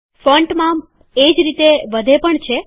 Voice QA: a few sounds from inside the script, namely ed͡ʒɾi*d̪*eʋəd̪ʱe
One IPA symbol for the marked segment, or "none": t̪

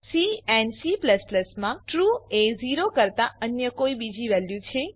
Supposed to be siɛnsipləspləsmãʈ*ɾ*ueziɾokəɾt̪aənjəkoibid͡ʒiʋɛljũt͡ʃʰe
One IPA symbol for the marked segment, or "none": ɾ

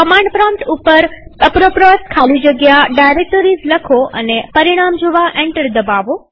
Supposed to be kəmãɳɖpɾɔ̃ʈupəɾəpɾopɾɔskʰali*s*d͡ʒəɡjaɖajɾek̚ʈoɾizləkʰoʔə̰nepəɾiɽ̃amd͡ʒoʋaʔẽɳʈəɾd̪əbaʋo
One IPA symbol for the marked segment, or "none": none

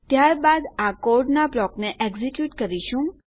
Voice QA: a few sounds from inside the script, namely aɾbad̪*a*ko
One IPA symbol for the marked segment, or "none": a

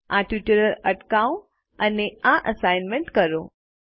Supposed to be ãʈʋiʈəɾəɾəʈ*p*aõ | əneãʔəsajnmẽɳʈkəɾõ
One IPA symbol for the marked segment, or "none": k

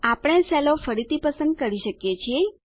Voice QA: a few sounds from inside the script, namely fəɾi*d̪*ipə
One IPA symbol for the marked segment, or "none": t̪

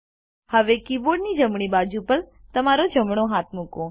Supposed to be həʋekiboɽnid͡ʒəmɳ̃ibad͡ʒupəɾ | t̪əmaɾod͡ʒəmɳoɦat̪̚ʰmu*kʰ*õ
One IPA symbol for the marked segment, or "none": k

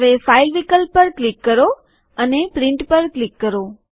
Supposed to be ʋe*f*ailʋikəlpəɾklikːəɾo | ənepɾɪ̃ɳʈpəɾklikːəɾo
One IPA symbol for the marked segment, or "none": f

